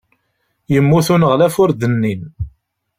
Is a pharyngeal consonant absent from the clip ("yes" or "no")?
yes